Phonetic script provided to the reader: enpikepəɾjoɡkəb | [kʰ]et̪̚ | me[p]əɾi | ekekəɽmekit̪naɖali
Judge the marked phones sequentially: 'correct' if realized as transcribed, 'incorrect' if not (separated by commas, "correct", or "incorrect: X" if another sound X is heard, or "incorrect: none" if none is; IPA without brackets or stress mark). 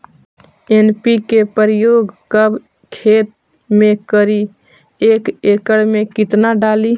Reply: correct, incorrect: k